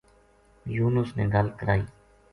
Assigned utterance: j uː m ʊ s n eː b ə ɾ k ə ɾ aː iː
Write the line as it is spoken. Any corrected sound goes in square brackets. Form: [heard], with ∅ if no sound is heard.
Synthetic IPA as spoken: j uː [n] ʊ s n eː [ɡ] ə [l] k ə ɾ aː iː